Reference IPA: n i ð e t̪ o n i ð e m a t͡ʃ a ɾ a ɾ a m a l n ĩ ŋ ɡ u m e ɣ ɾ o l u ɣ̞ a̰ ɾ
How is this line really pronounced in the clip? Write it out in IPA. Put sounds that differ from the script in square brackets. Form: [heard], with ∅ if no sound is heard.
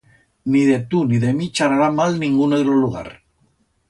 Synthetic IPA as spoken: n i ð e t̪ [u] n i ð e m [i] t͡ʃ a ɾ a ɾ a m a l n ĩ ŋ ɡ u [n] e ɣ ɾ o l u ɣ̞ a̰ ɾ